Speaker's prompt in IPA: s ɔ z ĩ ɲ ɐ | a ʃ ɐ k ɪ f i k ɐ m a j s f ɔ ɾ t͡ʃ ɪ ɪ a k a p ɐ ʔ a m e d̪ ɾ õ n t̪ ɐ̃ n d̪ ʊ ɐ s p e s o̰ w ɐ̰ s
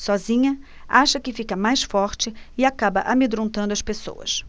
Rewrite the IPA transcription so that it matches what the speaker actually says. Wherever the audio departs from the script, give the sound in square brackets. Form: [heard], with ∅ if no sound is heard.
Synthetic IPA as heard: s ɔ z ĩ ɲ ɐ | a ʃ ɐ k ɪ f i k ɐ m a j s f ɔ ɾ t͡ʃ ɪ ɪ a k a [b] ɐ ʔ a m e d̪ ɾ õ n t̪ ɐ̃ n d̪ ʊ ɐ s p e s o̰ w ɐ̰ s

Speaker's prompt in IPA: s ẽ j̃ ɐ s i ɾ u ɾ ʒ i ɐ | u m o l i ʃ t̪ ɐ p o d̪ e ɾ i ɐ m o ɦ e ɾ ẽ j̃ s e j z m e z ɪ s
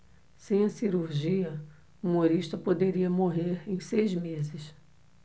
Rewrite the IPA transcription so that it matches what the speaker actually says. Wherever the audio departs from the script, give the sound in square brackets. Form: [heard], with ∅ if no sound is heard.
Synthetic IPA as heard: s ẽ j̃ ɐ s i ɾ u ɾ ʒ i ɐ | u m o [ɾ] i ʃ t̪ ɐ p o d̪ e ɾ i ɐ m o ɦ e ɾ ẽ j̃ s e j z m e z ɪ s

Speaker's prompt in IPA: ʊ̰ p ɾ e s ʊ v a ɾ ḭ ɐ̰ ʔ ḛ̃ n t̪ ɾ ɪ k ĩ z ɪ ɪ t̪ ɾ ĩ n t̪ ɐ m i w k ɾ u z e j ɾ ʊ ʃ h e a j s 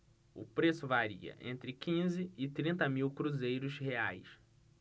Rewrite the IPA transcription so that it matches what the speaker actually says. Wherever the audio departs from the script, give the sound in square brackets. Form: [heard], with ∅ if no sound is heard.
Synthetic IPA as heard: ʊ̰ p ɾ e s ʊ v a ɾ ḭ ɐ̰ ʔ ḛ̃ n t̪ ɾ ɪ k ĩ z ɪ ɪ t̪ ɾ ĩ n t̪ ɐ m i w k ɾ u z e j ɾ ʊ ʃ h e a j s

